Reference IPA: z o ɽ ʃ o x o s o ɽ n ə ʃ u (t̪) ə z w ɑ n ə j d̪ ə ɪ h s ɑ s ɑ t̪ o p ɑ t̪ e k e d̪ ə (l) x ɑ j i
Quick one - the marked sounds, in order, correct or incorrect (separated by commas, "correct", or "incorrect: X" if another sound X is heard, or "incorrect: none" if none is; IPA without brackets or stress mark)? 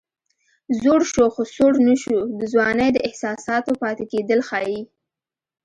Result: incorrect: d̪, correct